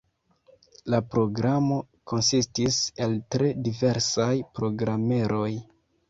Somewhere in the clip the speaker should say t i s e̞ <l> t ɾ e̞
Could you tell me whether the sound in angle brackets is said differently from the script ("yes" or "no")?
no